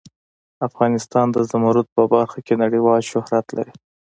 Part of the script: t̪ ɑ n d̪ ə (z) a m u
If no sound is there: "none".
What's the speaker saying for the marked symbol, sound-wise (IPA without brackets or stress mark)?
z